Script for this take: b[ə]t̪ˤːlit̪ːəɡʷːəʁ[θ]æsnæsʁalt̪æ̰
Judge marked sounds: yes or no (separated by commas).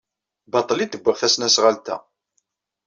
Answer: no, yes